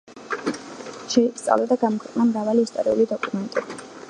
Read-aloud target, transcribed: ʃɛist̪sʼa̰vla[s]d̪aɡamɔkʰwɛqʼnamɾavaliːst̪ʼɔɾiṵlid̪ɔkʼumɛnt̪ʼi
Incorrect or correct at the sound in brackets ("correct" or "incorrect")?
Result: incorrect